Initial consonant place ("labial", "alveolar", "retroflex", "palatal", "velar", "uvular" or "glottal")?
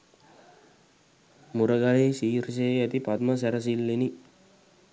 labial